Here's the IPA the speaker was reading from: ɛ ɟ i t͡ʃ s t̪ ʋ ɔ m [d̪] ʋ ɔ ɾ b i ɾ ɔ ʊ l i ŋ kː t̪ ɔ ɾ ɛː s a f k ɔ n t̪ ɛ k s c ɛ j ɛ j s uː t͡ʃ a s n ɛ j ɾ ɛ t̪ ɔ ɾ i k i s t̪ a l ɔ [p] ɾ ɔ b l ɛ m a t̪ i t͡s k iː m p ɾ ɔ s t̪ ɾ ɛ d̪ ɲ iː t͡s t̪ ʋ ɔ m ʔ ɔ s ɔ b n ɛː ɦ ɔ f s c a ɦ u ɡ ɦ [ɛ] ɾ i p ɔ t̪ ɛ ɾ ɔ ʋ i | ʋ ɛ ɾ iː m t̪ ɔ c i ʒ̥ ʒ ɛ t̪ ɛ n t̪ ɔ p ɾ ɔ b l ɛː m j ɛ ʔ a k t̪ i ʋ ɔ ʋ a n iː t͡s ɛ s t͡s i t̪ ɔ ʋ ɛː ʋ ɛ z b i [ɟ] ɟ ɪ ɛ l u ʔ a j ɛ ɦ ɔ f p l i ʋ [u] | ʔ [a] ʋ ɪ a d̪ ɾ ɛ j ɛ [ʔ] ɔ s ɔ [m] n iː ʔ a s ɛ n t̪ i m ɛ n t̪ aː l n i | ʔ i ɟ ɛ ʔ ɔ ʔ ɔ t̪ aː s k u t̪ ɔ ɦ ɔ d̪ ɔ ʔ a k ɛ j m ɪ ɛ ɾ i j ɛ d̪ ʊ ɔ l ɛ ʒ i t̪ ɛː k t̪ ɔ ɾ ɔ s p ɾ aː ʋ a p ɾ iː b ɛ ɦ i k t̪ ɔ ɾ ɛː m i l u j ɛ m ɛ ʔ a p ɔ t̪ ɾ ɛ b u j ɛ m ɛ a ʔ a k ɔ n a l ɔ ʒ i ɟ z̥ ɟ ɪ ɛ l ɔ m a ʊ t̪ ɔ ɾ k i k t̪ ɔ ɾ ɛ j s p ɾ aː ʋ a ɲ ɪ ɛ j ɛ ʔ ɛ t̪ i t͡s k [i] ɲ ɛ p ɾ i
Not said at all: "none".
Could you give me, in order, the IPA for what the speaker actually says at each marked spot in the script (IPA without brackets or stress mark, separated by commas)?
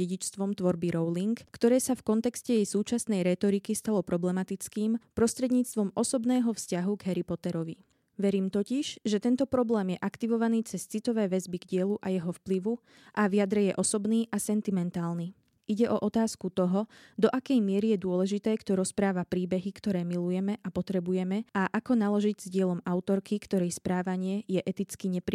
t̪, p, ɛ, ɡ, u, a, ʔ, b, i